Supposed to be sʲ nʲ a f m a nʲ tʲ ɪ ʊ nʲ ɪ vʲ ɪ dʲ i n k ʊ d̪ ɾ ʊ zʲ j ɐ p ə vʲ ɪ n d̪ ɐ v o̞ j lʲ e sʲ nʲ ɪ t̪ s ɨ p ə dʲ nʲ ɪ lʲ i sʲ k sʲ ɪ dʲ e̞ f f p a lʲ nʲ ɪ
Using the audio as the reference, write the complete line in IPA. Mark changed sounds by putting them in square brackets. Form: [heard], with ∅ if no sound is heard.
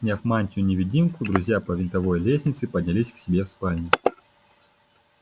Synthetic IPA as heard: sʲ nʲ a f m a nʲ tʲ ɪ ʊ nʲ ɪ vʲ ɪ dʲ i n k ʊ d̪ ɾ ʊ zʲ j [a] p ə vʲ ɪ n [t̪] ɐ v o̞ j lʲ e sʲ nʲ ɪ t̪ s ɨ p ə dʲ nʲ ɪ lʲ i sʲ k sʲ ɪ [bʲ] e̞ f [s] p a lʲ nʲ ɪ

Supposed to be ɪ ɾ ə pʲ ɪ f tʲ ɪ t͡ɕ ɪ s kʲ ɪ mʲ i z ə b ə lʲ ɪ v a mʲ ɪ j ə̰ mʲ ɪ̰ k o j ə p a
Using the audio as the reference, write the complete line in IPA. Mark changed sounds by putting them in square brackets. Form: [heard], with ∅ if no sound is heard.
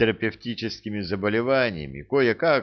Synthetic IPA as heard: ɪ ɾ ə pʲ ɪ f tʲ [i] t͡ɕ ɪ s kʲ ɪ mʲ [ɪ] z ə b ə lʲ ɪ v a [nʲ] ɪ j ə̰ mʲ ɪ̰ k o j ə [k] a

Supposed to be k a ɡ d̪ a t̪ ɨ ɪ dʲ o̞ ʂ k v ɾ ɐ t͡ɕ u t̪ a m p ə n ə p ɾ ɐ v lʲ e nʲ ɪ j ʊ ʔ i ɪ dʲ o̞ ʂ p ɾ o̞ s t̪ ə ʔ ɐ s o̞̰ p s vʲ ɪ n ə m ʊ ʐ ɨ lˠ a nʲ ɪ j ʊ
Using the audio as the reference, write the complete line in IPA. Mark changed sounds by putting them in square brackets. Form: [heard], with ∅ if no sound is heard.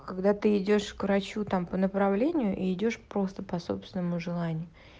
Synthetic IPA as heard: k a ɡ d̪ a t̪ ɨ ɪ dʲ o̞ ʂ k v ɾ ɐ t͡ɕ u t̪ a m p ə n ə p ɾ ɐ v lʲ e nʲ ɪ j ʊ ʔ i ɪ dʲ o̞ ʂ p ɾ o̞ s t̪ ə [p] ɐ s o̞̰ p s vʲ ɪ n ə m ʊ ʐ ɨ lˠ a nʲ ɪ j ʊ

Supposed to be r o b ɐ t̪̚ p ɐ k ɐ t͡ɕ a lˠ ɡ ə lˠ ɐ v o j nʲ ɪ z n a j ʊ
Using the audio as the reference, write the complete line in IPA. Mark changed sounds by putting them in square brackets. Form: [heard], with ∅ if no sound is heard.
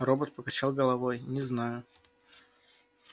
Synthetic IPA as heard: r o b [ə] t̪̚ p [ə] k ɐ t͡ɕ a lˠ ɡ ə lˠ ɐ v o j nʲ ɪ z n a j ʊ

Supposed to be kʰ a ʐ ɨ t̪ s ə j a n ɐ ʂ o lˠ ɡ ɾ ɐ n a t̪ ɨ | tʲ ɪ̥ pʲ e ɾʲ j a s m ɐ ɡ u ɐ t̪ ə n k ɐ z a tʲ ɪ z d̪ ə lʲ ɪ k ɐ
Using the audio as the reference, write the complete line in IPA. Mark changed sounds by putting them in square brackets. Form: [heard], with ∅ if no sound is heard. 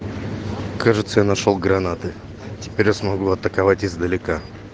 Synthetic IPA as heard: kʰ a ʐ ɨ t̪ s ə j a n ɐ ʂ o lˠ ɡ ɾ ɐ n a t̪ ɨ | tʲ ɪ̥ pʲ e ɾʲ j a s m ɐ ɡ u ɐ t̪ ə [∅] k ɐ [v] a tʲ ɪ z d̪ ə lʲ ɪ k [a]

